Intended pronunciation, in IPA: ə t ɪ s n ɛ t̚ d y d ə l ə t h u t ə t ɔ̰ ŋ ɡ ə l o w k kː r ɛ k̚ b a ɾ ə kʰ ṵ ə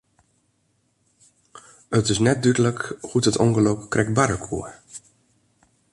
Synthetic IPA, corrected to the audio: ə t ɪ s n ɛ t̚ d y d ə l ə k h u t ə t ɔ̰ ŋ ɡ ə l o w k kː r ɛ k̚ b a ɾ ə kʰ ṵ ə